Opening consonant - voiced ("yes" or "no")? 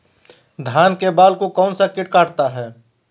yes